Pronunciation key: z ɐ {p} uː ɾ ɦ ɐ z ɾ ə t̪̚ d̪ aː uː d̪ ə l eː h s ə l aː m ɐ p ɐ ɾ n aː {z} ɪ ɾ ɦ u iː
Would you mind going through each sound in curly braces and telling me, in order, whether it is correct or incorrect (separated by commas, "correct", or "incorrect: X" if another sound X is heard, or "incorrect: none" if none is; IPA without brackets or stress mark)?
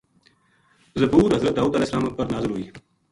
incorrect: b, correct